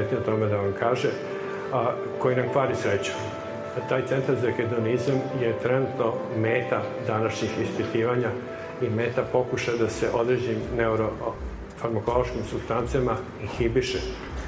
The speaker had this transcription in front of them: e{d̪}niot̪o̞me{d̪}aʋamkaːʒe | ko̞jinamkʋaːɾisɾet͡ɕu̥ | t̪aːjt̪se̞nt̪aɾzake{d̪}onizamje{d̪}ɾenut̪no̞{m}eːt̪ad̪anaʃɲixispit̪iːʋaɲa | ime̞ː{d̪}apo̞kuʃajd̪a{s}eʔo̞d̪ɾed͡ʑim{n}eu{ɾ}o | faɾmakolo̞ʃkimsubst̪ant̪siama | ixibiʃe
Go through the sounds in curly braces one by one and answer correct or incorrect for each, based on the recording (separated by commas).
incorrect, correct, correct, incorrect, correct, incorrect, correct, correct, correct